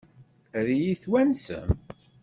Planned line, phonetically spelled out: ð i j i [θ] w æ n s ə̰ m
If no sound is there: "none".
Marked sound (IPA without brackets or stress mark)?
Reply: θ